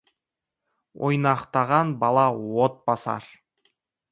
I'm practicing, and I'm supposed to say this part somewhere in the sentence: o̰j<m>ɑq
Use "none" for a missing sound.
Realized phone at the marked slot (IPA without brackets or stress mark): n